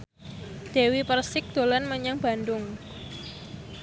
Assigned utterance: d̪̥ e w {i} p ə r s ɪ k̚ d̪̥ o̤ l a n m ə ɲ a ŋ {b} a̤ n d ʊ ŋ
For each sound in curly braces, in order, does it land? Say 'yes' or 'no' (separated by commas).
yes, yes